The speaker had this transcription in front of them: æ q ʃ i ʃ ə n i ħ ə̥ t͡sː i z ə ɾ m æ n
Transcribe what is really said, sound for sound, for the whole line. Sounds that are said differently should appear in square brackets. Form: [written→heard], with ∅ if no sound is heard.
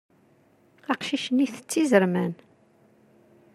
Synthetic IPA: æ q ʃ i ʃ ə n i [ħ→θ] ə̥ t͡sː i z ə ɾ m æ n